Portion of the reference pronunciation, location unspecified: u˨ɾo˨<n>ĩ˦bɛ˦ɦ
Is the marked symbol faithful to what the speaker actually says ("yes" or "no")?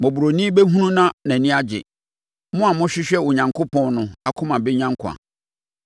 yes